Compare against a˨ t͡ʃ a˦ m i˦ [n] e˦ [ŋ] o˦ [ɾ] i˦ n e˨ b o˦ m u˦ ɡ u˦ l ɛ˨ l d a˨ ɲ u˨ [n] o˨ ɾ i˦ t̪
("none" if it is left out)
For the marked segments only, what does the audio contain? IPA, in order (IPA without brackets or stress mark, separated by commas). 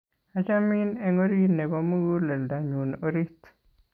n, ŋ, ɾ, n